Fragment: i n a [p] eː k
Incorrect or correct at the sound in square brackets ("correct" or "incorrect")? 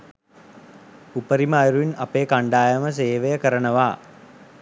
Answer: correct